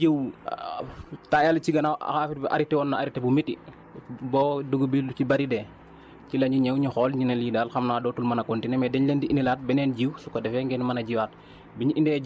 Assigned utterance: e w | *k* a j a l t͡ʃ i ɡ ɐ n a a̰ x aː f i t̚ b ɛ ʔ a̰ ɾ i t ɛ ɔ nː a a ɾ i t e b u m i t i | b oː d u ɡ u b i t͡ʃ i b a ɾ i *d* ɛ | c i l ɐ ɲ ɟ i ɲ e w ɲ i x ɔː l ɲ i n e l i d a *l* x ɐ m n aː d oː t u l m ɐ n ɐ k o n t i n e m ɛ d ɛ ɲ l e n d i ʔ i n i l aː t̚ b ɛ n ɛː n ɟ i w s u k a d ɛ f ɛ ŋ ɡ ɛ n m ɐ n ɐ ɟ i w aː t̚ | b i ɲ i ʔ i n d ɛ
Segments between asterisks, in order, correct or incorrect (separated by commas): incorrect, correct, correct